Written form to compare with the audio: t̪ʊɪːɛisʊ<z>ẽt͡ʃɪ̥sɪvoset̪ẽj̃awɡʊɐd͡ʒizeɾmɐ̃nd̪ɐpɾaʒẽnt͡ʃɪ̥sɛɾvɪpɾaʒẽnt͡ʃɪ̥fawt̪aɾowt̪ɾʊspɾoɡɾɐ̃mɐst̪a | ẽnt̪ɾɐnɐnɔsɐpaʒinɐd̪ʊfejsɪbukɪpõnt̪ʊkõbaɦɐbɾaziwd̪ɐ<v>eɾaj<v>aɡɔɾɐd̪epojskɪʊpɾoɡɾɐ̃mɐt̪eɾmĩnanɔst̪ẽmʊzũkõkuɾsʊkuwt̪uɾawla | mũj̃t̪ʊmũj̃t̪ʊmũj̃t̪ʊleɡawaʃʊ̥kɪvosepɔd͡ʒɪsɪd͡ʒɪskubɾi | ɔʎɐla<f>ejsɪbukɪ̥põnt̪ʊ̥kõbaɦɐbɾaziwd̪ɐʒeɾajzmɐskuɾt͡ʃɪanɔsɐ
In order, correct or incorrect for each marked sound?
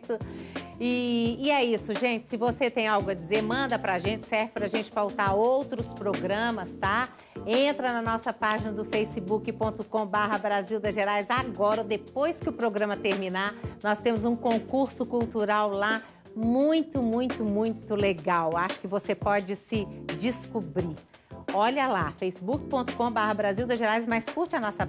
incorrect: ʒ, incorrect: ʒ, incorrect: z, correct

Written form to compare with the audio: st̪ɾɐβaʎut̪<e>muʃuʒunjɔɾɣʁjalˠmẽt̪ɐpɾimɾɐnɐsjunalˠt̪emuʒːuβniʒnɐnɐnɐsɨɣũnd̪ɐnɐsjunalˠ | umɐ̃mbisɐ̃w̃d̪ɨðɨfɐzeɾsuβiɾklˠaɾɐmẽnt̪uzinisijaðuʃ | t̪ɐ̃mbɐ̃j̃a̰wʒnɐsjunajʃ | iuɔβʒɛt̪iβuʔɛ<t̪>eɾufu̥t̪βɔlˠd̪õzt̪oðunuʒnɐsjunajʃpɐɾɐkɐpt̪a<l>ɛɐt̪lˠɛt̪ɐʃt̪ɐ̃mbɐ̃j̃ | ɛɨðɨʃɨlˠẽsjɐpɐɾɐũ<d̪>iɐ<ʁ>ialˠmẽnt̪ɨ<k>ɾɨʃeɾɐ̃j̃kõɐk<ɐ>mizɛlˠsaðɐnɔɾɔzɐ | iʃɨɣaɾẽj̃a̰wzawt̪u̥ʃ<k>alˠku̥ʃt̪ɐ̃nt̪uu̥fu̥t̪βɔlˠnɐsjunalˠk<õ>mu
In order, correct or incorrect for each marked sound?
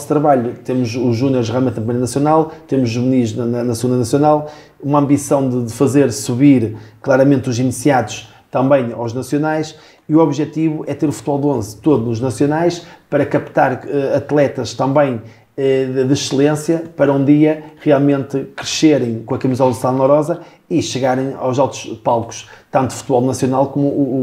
correct, correct, incorrect: ɾ, correct, correct, correct, correct, incorrect: p, incorrect: o

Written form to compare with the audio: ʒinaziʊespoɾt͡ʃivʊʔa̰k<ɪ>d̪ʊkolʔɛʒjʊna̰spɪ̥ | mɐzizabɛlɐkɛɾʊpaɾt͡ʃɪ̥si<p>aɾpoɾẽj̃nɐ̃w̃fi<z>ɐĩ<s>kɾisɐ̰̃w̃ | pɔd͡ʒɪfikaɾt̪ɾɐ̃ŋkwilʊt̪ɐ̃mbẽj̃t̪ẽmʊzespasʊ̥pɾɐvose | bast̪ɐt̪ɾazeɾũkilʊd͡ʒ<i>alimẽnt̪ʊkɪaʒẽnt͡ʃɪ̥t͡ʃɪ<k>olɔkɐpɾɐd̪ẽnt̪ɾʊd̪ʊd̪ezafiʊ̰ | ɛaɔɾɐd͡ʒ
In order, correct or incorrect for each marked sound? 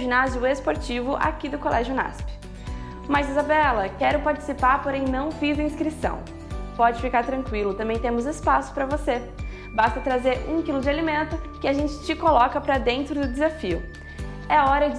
incorrect: i, correct, correct, correct, incorrect: ɪ, correct

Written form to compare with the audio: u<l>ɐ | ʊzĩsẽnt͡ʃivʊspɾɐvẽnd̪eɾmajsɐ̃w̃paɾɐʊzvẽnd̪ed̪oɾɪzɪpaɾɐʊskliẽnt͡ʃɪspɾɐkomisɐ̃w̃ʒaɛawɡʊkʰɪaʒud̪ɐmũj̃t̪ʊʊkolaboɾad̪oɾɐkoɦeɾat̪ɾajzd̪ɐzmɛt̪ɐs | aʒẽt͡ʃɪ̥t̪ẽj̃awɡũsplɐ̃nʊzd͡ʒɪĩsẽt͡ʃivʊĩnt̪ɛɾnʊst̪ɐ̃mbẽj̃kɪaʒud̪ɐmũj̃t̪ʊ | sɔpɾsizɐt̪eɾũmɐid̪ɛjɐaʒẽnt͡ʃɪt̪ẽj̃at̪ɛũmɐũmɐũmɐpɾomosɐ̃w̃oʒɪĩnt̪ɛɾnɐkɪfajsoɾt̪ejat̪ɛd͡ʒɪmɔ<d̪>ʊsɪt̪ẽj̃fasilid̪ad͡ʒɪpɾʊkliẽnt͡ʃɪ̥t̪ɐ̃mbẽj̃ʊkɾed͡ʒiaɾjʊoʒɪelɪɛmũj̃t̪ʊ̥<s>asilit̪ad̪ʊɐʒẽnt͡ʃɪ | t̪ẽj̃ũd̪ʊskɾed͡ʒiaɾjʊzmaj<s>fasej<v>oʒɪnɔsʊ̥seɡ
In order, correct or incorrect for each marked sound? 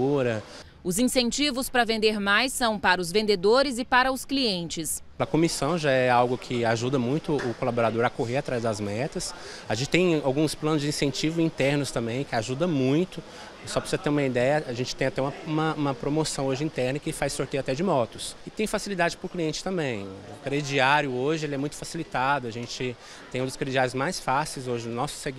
incorrect: ɾ, incorrect: t̪, incorrect: f, correct, incorrect: z

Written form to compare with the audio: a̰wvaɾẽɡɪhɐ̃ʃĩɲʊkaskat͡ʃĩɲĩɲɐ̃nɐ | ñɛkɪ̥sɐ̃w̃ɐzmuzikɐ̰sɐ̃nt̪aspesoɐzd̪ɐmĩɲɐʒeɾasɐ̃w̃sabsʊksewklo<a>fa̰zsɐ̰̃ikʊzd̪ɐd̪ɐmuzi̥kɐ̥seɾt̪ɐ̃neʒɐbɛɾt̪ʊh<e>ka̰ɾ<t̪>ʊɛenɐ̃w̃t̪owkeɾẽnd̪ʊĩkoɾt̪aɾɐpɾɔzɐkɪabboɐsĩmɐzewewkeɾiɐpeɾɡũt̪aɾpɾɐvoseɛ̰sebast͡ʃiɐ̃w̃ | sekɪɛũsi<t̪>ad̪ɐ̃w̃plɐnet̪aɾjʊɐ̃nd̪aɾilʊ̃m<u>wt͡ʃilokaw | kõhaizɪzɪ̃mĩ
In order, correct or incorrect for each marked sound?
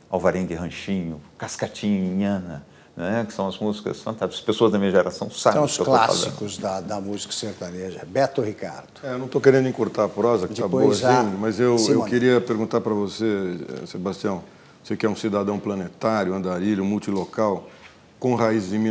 correct, incorrect: i, incorrect: d̪, incorrect: d̪, correct

